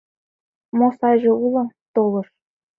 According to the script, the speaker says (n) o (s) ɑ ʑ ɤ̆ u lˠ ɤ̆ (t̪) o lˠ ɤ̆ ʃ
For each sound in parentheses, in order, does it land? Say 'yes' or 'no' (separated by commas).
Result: no, yes, yes